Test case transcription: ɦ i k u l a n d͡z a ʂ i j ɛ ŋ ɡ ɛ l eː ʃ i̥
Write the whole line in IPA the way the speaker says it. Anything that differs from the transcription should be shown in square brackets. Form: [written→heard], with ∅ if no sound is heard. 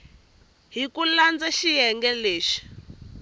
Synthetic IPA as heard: ɦ i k u l a n d͡z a [ʂ→ʃ] i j ɛ ŋ ɡ ɛ l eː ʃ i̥